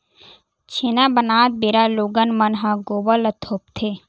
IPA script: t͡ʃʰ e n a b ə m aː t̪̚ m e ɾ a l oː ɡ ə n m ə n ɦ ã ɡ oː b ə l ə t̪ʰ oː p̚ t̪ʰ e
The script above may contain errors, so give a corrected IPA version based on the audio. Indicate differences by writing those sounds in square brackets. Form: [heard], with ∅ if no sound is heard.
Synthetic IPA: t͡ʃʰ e n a b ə [n] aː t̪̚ [b] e ɾ a l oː ɡ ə n m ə n ɦ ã ɡ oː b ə l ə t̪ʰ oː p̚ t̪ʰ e